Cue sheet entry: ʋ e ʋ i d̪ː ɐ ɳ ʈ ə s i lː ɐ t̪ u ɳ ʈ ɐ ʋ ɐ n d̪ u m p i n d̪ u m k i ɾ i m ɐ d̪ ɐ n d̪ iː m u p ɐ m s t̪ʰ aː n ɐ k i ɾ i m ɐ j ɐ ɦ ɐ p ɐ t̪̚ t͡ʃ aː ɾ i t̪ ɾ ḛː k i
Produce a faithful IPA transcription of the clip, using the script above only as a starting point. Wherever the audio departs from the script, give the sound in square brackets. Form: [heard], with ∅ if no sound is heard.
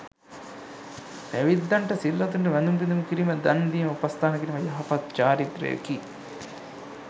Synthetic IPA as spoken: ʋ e ʋ i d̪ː ɐ ɳ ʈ [ɐ] s i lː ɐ t̪ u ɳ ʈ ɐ ʋ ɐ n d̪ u m p i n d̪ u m k i ɾ i m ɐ d̪ ɐ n d̪ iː m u p ɐ [∅] s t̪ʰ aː n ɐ k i ɾ i m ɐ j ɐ ɦ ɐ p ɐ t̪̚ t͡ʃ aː ɾ i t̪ ɾ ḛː k i